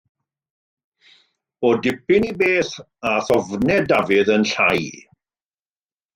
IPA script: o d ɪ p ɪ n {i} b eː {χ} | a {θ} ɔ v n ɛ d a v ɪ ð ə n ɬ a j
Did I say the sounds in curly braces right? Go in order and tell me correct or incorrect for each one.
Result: correct, incorrect, correct

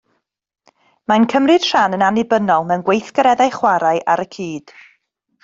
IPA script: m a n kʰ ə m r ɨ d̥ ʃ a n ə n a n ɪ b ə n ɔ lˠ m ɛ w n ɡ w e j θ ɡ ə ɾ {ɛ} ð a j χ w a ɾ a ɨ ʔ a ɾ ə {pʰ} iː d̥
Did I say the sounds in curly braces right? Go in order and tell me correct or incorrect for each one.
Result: correct, incorrect

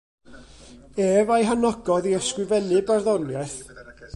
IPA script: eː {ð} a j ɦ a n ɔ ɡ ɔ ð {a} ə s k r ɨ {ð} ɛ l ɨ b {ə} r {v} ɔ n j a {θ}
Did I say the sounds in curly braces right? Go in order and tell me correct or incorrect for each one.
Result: incorrect, incorrect, incorrect, incorrect, incorrect, correct

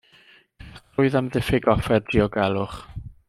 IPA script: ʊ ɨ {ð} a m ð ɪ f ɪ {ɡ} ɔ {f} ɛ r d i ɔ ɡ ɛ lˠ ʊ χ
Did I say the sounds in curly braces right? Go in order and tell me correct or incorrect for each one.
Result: correct, correct, correct

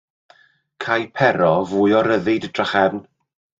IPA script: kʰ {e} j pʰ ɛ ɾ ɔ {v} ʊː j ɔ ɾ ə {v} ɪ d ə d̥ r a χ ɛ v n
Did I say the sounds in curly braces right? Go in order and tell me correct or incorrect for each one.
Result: incorrect, correct, incorrect

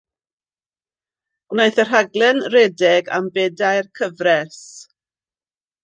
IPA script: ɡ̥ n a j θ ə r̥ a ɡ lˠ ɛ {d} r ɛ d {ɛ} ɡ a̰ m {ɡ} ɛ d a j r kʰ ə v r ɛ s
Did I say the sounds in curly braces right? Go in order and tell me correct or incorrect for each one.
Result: incorrect, correct, incorrect

